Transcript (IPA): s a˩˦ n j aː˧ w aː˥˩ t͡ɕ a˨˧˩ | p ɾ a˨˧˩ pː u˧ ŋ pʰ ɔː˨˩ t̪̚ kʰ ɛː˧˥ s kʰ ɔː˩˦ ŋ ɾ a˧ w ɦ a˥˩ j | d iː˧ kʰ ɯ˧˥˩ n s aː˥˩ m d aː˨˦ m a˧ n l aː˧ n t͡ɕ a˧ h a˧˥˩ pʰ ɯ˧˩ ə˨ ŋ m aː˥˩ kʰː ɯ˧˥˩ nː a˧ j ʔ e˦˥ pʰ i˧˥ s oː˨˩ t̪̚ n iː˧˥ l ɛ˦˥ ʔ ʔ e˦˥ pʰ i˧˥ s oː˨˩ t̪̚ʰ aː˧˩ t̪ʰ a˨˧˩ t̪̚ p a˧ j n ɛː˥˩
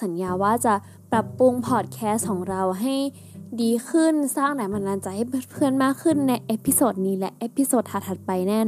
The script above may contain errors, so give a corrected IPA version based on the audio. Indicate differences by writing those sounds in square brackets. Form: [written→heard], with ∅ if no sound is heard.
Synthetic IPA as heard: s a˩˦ n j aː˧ w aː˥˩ t͡ɕ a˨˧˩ | p ɾ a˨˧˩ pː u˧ ŋ pʰ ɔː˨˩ t̪̚ kʰ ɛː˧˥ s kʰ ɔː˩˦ ŋ ɾ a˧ w ɦ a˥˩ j | d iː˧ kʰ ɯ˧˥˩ n s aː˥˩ [m→ŋ] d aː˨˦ m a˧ n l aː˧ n t͡ɕ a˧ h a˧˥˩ pʰ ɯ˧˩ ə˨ [ŋ→n] m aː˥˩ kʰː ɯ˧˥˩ nː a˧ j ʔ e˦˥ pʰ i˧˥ s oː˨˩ t̪̚ n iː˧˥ l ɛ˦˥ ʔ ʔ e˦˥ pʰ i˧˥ s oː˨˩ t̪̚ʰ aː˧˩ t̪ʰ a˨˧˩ t̪̚ p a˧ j n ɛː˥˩